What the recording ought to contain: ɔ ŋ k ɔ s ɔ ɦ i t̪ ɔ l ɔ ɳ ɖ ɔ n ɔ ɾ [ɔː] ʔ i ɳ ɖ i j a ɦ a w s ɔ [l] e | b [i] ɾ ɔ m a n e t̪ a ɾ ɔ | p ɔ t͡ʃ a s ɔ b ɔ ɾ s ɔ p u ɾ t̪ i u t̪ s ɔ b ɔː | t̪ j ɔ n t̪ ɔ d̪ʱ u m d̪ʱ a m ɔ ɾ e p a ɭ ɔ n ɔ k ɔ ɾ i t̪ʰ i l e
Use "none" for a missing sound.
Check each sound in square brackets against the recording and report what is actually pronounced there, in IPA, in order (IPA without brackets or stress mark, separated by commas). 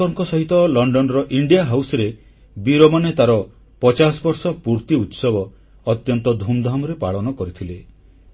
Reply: ɔ, ɾ, i